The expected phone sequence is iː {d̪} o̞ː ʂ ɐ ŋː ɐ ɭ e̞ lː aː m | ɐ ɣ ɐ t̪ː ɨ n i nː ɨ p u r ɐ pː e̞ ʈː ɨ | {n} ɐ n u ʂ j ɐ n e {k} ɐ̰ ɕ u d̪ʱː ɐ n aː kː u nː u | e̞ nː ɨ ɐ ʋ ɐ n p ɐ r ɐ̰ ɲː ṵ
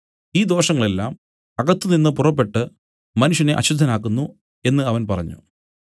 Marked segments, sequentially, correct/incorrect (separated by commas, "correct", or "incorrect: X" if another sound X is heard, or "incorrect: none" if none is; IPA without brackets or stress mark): correct, incorrect: m, incorrect: ʔ